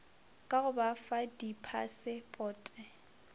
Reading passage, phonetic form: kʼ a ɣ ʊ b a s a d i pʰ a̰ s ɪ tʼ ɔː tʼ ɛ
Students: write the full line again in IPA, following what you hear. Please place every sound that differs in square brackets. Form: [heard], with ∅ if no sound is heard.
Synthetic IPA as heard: kʼ a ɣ ʊ b a [f] a d i pʰ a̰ s ɪ [pʼ] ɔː tʼ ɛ